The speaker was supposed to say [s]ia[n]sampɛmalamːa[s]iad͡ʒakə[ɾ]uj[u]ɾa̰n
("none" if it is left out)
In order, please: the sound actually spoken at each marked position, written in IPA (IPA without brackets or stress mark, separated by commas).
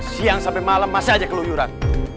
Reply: s, ŋ, s, l, u